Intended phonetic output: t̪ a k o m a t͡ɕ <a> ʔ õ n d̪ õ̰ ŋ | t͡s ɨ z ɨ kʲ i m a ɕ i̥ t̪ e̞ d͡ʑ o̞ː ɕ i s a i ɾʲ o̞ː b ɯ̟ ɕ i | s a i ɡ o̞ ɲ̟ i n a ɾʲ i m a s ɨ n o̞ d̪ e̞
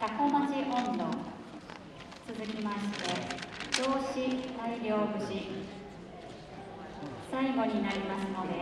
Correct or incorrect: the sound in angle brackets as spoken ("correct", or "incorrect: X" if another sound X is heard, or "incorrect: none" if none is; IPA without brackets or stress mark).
incorrect: i